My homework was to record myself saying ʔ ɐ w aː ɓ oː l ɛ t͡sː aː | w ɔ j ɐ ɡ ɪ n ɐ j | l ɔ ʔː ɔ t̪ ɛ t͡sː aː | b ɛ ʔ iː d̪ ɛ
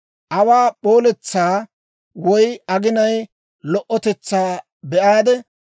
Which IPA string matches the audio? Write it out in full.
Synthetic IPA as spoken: ʔ ɐ w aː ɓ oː l ɛ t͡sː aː | w ɔ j ɐ ɡ ɪ n ɐ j | l ɔ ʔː ɔ t̪ ɛ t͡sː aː | b ɛ ʔ aː d̪ ɛ